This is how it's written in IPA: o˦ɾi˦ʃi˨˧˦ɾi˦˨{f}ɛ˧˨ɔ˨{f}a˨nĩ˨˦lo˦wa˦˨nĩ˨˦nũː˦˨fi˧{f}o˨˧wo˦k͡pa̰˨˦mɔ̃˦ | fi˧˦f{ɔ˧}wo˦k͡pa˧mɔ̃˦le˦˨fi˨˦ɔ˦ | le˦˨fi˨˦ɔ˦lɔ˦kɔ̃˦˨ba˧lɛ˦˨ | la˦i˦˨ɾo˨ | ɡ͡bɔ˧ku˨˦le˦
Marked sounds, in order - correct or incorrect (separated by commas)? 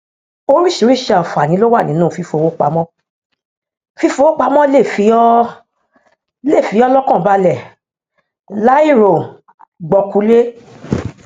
incorrect, correct, correct, incorrect